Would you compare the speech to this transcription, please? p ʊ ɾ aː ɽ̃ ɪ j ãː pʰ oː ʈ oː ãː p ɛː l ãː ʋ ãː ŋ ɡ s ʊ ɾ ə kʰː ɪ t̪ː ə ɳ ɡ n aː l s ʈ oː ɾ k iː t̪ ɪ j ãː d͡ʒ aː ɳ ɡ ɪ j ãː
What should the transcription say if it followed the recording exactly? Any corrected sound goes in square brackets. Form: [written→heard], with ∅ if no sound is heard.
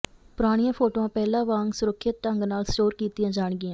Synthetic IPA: p ʊ ɾ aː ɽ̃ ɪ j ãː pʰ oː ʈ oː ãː p ɛː l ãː ʋ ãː ŋ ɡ s ʊ ɾ ə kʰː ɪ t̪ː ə [ɳ→ŋ] ɡ n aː l s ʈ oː ɾ k iː t̪ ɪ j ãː d͡ʒ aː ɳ ɡ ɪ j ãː